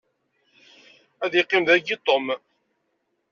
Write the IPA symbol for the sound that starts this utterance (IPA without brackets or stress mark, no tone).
æ